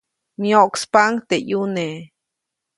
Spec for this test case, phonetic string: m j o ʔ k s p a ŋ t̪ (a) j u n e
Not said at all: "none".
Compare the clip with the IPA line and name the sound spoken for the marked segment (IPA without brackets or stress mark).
e